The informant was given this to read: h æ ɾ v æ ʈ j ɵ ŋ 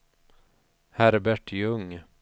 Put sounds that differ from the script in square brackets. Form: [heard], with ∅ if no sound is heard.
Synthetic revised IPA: h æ ɾ [b] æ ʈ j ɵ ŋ